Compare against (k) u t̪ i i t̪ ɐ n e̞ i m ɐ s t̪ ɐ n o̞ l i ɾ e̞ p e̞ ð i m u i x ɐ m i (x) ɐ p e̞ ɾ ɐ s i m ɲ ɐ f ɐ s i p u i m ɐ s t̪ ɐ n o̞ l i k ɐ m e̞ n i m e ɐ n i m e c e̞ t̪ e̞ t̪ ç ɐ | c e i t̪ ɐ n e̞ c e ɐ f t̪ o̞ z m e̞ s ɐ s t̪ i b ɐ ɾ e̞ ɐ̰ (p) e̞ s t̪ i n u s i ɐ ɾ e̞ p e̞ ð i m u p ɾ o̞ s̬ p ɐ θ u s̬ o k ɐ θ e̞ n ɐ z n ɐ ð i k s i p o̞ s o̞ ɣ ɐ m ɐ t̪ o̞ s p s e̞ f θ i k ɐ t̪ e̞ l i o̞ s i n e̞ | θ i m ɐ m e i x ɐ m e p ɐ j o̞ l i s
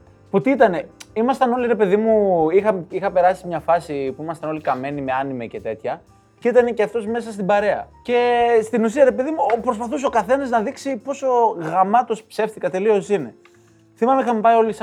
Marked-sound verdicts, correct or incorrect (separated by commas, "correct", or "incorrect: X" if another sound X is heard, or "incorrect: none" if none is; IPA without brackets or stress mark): incorrect: p, correct, incorrect: c